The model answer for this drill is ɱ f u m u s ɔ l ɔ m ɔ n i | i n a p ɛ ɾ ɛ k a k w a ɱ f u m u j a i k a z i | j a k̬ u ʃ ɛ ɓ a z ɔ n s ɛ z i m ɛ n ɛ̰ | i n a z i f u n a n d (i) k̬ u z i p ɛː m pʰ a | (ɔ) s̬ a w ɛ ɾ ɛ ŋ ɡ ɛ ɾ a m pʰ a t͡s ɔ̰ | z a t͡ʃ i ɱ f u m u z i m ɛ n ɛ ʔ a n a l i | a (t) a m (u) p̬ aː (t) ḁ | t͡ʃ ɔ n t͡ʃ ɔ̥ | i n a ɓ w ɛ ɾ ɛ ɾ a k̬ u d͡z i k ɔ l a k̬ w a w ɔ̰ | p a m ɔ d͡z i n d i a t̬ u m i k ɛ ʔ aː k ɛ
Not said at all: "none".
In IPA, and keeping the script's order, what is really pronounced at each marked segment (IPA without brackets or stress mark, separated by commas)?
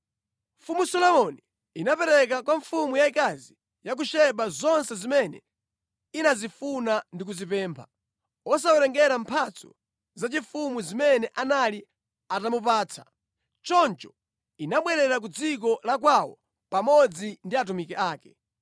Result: i, ɔ, t, u, t͡sʰ